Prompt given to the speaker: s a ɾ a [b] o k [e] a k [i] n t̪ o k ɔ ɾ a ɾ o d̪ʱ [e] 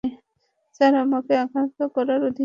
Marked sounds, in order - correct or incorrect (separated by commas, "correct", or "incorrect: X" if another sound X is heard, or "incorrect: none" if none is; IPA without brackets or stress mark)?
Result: incorrect: m, correct, incorrect: a, incorrect: i